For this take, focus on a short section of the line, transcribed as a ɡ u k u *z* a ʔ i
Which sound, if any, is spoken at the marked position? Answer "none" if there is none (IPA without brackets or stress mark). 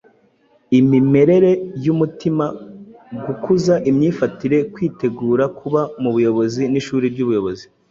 z